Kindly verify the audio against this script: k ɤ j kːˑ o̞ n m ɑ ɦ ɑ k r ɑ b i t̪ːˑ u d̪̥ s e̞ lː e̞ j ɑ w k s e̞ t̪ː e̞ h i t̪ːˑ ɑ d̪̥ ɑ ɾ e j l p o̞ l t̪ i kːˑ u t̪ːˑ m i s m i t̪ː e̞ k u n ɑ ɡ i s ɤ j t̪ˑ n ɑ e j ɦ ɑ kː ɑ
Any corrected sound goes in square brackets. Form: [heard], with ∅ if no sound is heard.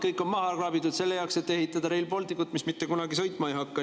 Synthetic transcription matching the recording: k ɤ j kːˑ o̞ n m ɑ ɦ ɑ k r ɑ b i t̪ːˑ u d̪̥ s e̞ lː e̞ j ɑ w k s e̞ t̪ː e̞ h i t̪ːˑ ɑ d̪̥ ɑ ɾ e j l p o̞ l t̪ i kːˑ u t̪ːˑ m i s m i t̪ː e̞ k u n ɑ ɡ i s ɤ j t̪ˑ [m] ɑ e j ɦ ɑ kː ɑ